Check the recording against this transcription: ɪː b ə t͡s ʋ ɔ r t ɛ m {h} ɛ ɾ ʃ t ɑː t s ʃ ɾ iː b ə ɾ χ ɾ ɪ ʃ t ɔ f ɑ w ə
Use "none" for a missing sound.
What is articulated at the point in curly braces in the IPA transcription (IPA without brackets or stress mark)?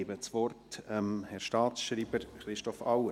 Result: h